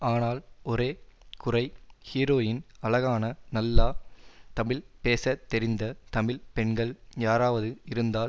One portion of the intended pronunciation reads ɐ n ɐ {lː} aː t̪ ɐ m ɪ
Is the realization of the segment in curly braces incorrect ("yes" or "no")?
no